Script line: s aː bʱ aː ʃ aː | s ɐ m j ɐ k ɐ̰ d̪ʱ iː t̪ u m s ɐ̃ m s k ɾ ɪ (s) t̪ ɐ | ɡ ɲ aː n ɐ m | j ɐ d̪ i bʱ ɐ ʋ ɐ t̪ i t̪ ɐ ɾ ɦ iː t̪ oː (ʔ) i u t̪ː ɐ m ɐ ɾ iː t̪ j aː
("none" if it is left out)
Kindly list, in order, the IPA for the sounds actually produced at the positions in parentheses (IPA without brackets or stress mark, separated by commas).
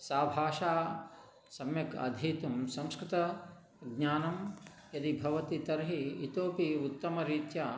none, p